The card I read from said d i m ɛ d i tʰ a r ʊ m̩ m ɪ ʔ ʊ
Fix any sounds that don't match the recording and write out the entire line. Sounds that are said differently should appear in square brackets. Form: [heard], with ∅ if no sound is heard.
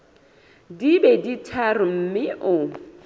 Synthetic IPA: d i [b] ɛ d i tʰ a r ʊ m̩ m ɪ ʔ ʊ